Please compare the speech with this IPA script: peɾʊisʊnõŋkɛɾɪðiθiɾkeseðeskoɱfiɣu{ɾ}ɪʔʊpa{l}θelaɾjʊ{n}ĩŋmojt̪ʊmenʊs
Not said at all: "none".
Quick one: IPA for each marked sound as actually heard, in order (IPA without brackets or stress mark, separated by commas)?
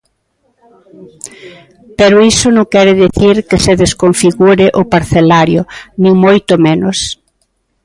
ɾ, ɾ, n